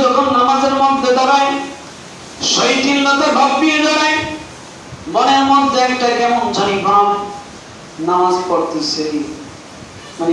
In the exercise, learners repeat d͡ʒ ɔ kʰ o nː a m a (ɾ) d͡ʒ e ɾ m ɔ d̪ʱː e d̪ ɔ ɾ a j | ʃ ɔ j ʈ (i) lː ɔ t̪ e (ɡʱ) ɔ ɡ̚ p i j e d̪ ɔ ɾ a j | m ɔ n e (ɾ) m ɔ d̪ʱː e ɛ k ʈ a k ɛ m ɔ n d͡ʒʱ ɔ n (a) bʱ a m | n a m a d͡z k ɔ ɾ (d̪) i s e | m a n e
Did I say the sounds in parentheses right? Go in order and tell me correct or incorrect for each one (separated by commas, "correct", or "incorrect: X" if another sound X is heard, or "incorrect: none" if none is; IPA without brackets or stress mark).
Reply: incorrect: none, correct, incorrect: bʱ, correct, incorrect: i, incorrect: t̪